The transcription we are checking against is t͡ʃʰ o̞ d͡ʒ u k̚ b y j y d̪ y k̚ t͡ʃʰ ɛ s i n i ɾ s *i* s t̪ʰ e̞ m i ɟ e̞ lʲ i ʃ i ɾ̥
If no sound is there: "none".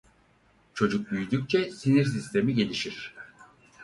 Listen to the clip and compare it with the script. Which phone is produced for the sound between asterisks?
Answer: i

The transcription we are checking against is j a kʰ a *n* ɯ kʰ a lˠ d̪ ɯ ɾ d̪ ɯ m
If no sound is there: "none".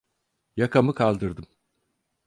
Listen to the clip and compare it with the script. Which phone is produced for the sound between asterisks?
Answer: m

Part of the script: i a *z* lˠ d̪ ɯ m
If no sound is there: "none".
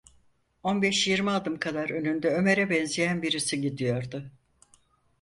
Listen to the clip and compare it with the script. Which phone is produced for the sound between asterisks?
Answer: none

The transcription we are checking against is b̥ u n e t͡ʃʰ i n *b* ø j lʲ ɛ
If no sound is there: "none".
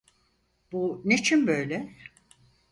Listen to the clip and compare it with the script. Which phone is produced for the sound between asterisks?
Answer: b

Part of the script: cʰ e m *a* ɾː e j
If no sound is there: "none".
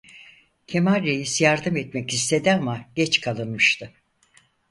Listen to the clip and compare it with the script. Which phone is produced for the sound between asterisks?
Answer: a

